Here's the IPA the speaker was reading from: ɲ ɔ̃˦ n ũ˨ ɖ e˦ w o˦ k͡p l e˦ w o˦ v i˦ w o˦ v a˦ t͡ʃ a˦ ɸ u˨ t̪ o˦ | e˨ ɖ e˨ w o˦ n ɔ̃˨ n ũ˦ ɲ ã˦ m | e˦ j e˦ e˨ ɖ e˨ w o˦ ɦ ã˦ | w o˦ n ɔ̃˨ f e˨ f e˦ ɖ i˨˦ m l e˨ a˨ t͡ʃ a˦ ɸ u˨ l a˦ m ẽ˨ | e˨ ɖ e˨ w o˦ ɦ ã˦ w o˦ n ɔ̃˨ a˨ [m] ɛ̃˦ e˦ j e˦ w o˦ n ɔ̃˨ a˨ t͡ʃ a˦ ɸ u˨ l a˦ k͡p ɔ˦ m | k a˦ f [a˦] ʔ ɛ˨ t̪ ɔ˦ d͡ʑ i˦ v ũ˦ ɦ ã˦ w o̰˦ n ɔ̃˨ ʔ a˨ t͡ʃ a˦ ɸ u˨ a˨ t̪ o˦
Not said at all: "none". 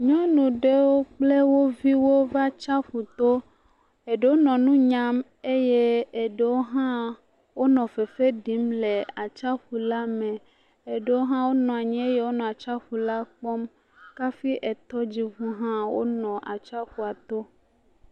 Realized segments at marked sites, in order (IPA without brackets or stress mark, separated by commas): ɲ, i˦